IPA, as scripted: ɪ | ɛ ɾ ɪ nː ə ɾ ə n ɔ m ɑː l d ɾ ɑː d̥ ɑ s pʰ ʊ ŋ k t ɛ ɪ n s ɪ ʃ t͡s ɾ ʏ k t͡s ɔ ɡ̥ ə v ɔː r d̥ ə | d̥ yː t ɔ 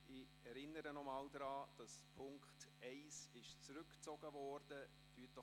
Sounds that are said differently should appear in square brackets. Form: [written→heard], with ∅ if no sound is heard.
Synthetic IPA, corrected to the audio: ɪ | ɛ ɾ ɪ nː ə ɾ ə n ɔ m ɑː l d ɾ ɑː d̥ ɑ s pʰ ʊ ŋ k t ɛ ɪ [n→∅] s ɪ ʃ t͡s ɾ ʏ k t͡s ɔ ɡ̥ ə v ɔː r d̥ ə | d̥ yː t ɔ